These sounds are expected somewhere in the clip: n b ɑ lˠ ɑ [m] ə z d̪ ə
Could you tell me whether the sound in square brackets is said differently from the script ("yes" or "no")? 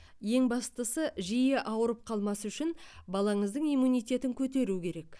yes